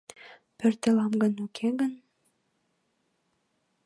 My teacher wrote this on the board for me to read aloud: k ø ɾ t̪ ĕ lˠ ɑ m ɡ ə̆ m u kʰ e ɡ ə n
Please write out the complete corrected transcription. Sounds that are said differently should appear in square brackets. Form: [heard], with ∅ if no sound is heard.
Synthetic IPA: [p] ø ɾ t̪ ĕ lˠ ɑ m ɡ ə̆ [n] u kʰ e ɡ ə n